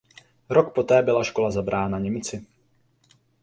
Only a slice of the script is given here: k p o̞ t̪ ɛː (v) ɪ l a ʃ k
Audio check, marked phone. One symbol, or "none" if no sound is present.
b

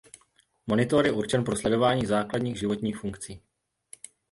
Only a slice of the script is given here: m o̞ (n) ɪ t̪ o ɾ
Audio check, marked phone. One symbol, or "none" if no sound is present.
n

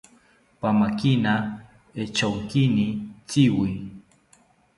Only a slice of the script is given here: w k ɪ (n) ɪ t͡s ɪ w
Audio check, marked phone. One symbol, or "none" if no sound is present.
n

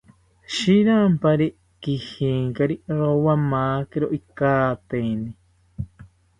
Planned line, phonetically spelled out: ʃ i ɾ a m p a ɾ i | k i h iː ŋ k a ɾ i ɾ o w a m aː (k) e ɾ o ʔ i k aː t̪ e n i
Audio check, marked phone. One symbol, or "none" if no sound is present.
k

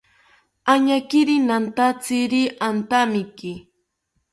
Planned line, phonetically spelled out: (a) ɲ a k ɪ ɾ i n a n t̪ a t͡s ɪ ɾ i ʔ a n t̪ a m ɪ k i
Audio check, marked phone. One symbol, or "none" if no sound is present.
a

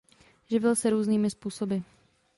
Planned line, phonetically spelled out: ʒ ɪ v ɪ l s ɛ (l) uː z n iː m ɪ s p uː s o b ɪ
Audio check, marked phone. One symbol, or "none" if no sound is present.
ɾ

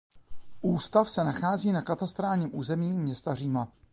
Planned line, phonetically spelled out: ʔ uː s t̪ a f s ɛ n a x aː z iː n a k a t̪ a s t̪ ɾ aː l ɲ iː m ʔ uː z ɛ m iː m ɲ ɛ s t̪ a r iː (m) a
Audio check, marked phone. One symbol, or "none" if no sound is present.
m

